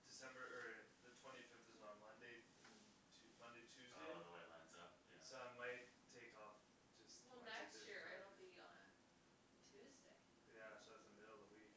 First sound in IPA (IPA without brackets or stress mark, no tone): d̥